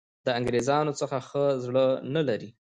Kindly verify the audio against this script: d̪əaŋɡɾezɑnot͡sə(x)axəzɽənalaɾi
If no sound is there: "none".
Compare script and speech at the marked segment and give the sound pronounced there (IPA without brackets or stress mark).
x